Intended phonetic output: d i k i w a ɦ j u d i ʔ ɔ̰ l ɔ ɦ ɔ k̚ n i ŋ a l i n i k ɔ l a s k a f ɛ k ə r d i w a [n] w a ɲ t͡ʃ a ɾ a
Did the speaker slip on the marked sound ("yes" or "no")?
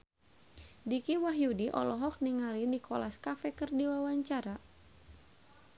yes